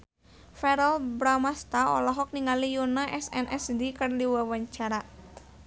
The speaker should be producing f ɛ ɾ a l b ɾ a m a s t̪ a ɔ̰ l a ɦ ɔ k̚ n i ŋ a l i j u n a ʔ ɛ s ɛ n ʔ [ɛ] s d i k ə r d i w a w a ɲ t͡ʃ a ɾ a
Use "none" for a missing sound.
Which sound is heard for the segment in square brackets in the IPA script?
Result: ɛ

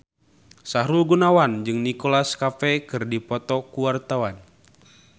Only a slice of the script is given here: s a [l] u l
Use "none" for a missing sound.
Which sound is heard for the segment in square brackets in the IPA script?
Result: ɾ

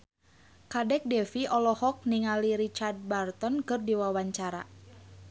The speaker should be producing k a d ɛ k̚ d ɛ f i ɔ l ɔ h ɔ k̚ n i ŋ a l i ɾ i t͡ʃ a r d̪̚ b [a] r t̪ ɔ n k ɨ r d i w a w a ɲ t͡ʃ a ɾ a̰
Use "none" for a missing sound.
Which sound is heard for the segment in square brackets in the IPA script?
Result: a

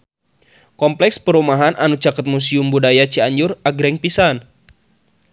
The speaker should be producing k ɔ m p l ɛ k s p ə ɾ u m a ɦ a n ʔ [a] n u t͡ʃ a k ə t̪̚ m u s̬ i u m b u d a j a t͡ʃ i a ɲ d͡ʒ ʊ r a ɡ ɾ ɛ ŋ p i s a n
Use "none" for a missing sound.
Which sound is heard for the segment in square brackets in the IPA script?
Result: a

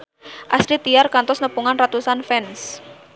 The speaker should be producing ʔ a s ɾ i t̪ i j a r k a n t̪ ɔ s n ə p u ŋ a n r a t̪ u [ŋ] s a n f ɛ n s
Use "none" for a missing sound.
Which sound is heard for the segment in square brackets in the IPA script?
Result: none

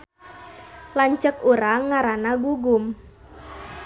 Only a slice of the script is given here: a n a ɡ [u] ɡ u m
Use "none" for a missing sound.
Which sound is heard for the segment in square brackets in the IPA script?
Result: u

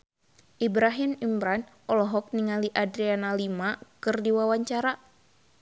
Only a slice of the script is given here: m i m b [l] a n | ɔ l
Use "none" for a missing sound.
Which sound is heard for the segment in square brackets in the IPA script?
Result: ɾ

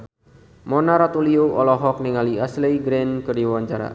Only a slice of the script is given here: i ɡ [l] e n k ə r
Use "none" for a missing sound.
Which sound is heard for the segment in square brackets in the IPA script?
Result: ɾ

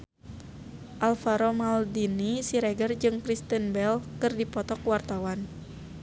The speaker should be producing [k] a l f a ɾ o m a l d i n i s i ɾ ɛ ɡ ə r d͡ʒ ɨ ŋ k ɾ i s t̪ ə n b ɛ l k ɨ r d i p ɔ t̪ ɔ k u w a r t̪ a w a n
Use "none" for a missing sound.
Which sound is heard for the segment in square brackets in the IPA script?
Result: ʔ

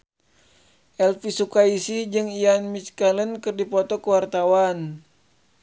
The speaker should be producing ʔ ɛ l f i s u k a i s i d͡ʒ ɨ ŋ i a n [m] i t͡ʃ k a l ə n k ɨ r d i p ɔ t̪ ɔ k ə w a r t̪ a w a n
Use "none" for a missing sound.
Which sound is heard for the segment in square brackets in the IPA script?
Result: m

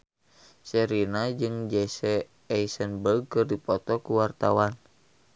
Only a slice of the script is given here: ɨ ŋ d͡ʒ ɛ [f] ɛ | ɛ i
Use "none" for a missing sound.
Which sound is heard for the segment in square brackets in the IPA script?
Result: s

